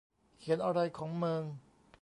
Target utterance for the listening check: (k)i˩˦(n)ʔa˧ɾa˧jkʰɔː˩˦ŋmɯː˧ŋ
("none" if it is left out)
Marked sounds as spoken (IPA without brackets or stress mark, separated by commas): kʰ, n